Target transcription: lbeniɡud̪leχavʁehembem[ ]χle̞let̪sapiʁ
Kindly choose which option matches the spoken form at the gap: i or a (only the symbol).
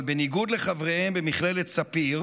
i